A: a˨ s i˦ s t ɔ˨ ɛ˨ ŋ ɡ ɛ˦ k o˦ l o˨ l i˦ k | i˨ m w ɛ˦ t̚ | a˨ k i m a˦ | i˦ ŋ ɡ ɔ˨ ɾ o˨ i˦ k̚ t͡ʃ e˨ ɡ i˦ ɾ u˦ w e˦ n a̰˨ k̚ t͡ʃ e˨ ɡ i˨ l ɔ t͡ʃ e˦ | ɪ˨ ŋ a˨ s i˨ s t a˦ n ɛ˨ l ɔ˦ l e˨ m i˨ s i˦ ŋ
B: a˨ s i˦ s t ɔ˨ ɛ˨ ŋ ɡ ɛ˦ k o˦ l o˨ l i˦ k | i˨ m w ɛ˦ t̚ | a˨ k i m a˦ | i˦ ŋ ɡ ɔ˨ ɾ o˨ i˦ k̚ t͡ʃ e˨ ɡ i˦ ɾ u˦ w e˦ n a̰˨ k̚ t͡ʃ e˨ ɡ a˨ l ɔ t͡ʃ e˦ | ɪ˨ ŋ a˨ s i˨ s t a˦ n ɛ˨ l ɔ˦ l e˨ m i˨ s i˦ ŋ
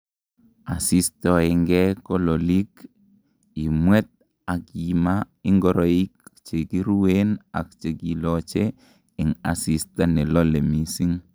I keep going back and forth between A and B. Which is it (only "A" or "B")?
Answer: A